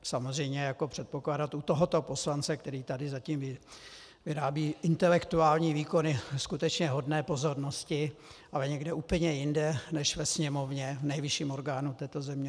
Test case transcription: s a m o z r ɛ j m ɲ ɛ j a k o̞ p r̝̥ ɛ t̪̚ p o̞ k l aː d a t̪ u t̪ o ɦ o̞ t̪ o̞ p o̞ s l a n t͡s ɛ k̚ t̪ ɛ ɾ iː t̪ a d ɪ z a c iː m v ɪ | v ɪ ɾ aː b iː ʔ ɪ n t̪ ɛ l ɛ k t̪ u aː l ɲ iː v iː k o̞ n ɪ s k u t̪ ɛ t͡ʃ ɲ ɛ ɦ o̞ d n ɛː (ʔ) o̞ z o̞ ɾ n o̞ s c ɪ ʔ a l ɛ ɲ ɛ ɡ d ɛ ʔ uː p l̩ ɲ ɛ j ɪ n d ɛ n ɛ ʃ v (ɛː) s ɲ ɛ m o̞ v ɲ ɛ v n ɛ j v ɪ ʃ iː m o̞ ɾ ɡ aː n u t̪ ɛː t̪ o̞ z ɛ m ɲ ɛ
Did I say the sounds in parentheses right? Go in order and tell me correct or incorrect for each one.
incorrect: p, incorrect: ɛ

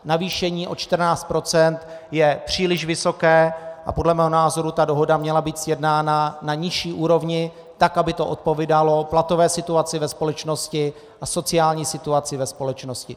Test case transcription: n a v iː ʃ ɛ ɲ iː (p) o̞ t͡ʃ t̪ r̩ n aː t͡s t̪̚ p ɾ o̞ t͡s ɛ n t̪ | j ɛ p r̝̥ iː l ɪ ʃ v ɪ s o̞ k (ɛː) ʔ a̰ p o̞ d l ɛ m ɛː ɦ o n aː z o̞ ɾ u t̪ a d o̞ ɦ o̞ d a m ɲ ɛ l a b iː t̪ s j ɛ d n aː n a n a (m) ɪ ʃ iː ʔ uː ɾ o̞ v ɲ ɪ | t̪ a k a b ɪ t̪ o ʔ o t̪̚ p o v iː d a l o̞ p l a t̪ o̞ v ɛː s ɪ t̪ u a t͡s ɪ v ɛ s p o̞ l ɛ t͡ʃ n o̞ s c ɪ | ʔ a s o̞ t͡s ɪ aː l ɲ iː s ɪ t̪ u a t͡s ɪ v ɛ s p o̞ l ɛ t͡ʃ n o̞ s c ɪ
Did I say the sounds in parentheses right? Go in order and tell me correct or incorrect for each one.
incorrect: ʔ, correct, incorrect: ɲ

